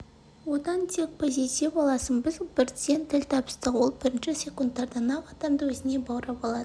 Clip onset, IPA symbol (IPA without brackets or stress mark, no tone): w